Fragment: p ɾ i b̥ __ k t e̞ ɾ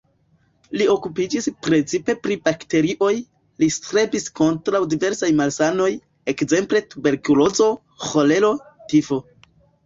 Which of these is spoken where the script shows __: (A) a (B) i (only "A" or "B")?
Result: A